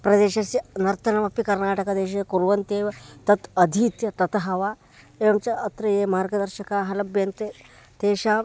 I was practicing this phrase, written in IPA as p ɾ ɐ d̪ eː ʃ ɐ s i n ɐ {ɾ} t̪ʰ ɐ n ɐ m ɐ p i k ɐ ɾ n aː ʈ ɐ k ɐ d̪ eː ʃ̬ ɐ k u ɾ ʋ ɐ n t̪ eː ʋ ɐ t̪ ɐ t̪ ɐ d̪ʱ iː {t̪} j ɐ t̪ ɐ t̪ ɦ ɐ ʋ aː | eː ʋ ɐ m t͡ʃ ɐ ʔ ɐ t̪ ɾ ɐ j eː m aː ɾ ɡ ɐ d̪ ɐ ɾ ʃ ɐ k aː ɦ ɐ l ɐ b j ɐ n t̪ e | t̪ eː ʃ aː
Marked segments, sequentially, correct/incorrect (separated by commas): correct, correct